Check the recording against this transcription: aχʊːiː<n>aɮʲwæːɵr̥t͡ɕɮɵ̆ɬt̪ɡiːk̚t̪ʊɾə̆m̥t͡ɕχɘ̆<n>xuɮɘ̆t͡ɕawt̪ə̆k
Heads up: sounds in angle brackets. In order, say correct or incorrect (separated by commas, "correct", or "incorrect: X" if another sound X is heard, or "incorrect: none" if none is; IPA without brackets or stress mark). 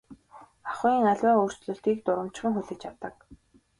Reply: incorrect: ŋ, incorrect: ŋ